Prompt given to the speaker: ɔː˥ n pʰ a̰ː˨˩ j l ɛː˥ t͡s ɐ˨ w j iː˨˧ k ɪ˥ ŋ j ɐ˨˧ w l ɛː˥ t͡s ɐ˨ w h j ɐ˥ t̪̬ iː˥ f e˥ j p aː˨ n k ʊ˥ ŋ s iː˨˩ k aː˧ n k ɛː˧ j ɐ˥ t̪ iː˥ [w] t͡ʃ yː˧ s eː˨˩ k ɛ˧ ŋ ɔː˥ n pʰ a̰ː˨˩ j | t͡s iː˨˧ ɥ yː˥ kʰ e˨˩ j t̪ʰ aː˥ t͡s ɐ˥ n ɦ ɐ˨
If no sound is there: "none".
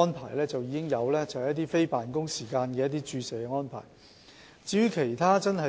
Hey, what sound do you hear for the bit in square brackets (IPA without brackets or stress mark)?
none